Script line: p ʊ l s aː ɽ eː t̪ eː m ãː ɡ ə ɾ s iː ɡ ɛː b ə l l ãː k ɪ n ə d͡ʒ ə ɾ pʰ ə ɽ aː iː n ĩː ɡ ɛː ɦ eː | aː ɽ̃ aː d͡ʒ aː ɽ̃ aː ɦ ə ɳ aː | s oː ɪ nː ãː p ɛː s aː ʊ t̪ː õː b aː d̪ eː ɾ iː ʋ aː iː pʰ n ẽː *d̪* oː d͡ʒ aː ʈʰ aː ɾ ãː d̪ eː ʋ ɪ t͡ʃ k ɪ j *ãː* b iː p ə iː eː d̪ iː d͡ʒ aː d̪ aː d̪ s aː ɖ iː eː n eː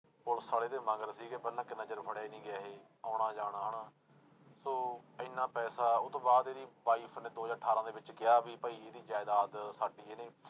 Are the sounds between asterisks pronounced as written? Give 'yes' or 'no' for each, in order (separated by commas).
yes, no